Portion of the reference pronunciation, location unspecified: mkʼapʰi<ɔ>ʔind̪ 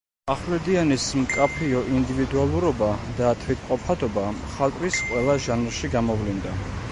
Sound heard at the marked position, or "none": ɔ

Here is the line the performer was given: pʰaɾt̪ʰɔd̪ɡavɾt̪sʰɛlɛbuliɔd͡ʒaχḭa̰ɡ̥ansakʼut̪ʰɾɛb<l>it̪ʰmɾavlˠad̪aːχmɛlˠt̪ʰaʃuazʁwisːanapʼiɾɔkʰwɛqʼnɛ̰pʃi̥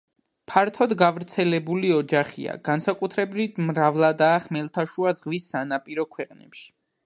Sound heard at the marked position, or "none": ɾ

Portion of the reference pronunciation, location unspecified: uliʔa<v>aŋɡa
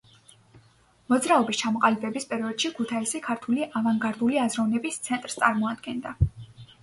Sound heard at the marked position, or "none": v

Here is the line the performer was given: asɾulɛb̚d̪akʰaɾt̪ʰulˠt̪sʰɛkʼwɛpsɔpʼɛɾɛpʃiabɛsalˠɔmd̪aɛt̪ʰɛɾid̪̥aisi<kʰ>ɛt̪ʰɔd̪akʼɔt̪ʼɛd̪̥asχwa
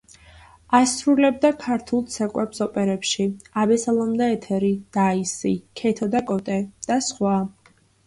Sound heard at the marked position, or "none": kʰ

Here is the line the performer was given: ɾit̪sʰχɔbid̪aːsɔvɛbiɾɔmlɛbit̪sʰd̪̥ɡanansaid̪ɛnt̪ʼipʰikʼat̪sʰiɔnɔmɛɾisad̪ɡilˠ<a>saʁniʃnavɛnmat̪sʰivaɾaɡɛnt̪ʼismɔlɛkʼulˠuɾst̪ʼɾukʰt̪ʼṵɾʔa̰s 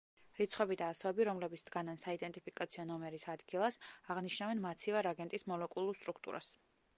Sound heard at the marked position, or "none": a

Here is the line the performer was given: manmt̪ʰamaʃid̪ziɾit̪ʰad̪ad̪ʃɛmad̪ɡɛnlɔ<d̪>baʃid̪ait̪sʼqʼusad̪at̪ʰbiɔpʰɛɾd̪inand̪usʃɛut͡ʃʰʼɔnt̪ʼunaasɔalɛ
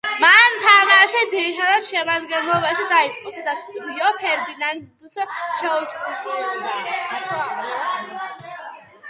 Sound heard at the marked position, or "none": none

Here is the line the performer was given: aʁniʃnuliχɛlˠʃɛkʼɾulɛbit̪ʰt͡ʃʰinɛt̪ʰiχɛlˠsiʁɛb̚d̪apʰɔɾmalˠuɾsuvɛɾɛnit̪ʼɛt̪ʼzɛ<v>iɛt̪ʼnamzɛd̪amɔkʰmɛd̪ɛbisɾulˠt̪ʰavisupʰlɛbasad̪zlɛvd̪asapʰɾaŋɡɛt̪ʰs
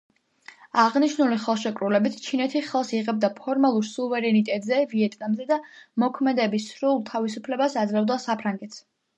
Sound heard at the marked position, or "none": v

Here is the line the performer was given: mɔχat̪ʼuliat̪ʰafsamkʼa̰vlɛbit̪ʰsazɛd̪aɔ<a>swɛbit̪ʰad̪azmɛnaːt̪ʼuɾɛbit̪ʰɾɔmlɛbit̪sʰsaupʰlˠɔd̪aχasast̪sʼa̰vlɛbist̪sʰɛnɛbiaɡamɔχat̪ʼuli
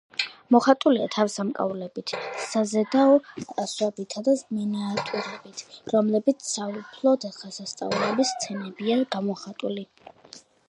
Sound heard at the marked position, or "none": a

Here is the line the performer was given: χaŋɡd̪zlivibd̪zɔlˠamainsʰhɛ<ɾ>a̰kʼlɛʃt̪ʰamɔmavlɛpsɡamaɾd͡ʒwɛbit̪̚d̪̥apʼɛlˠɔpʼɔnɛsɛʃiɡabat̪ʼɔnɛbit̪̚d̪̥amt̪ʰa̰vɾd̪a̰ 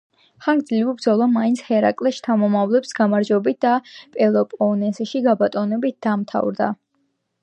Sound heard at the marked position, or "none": ɾ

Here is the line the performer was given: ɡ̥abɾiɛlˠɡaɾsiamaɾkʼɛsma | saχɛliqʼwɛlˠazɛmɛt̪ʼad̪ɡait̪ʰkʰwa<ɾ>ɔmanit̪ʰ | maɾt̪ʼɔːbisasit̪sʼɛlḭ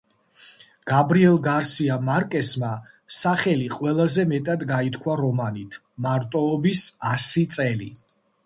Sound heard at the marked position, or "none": ɾ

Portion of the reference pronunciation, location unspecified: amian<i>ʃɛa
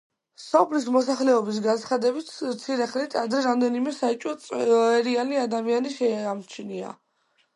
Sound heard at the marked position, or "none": i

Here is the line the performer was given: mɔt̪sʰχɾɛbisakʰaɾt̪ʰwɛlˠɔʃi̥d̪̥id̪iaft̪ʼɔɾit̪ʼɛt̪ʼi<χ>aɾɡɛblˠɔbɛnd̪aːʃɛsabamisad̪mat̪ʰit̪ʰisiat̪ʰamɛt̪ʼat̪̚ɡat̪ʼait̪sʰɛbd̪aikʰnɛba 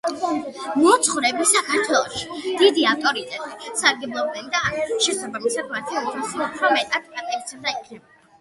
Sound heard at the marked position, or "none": s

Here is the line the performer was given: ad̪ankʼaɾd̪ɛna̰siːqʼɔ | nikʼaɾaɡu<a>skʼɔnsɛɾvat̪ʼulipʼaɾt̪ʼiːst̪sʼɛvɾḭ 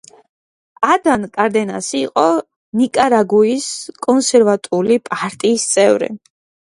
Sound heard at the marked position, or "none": i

